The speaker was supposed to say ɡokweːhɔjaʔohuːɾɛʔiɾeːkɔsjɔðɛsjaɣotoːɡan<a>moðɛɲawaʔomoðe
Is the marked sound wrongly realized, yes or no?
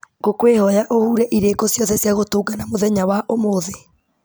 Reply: no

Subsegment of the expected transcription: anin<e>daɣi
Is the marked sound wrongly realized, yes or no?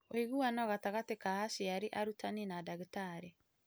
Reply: yes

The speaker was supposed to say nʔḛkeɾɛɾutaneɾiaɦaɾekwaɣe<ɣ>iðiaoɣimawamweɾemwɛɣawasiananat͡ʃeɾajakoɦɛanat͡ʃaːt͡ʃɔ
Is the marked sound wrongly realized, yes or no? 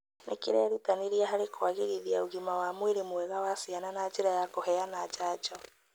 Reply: no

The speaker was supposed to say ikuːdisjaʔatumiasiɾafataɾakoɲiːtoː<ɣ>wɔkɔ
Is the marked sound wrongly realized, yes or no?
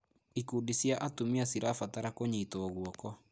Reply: no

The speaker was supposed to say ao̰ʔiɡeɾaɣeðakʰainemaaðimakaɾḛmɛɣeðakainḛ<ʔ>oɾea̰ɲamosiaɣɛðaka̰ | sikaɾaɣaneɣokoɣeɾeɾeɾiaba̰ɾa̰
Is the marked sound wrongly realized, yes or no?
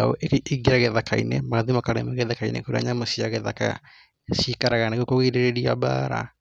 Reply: yes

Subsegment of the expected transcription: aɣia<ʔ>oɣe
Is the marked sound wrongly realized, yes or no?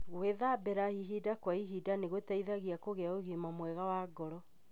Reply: yes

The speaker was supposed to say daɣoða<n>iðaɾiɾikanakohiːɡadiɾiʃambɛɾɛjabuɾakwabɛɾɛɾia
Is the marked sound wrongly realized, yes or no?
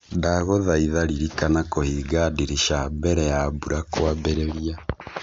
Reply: yes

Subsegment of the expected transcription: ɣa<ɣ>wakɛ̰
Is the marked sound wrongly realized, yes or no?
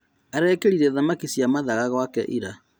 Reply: no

